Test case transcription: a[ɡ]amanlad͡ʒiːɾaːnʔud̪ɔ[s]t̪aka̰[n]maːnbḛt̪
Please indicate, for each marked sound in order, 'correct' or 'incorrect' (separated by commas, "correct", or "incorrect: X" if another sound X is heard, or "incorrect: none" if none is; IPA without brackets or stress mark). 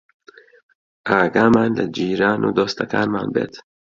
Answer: correct, correct, correct